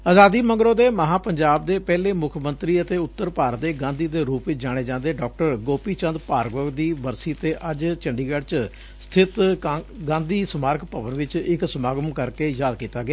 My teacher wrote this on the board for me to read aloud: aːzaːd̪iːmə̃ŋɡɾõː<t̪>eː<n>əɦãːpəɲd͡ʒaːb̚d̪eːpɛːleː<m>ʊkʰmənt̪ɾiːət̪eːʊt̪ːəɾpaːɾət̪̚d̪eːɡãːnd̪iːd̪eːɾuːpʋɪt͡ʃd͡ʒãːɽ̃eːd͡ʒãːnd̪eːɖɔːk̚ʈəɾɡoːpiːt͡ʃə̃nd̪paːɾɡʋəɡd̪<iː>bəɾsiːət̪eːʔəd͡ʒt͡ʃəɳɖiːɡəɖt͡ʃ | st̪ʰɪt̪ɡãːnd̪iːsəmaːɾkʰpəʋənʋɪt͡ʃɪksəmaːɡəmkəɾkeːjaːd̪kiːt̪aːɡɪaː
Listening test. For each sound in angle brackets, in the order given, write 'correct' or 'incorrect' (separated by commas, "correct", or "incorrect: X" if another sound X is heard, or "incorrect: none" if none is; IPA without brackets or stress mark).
incorrect: d̪, incorrect: m, correct, correct